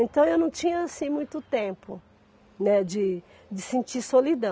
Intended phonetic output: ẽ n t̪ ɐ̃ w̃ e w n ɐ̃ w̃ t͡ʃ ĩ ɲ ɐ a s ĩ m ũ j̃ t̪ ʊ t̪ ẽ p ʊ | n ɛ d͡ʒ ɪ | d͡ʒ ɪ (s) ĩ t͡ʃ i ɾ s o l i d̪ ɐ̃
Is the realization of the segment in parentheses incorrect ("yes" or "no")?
no